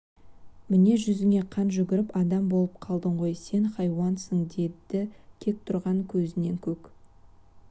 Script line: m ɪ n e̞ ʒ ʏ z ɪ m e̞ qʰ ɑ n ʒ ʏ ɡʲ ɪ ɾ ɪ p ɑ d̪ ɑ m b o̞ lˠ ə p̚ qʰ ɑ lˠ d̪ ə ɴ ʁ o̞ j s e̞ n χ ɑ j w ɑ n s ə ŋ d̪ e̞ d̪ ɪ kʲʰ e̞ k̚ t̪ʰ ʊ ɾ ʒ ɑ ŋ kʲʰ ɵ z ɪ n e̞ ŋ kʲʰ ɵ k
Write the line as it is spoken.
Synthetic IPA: m ɪ n e̞ ʒ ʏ z ɪ ŋ e̞ qʰ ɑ n ʒ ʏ ɡʲ ɪ ɾ ɪ p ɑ d̪ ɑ m b o̞ lˠ ə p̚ qʰ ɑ lˠ d̪ ə ɴ ʁ o̞ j s e̞ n χ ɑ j w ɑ n s ə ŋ d̪ e̞ d̪ ɪ kʲʰ e̞ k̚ t̪ʰ ʊ ɾ ʁ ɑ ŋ kʲʰ ɵ z ɪ n e̞ ŋ kʲʰ ɵ k